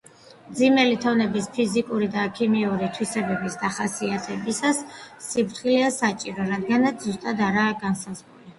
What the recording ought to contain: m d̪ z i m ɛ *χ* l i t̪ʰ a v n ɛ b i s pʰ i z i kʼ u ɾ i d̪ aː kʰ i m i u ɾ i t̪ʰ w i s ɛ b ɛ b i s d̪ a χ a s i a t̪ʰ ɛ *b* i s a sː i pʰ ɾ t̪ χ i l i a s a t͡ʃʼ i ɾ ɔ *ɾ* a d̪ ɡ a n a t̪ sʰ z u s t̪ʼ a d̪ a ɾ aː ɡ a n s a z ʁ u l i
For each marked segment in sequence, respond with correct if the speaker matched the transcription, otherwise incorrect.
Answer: incorrect: none, correct, correct

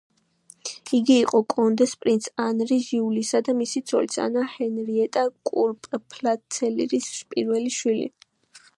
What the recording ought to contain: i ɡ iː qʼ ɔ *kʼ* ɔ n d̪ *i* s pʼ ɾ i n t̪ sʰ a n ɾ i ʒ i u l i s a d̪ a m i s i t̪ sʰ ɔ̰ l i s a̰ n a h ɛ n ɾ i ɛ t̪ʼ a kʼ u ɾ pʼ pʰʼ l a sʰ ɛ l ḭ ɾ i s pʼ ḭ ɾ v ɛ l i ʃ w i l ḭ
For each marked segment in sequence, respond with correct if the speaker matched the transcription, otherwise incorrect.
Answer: correct, incorrect: ɛ

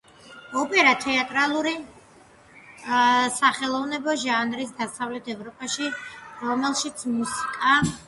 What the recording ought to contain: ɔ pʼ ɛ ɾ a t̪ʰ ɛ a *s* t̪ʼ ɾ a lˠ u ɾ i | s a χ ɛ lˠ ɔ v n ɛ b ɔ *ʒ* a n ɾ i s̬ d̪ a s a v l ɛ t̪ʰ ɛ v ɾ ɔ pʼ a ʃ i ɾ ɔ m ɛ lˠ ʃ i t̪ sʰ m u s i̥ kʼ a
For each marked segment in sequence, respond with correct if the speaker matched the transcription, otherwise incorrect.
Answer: incorrect: none, correct

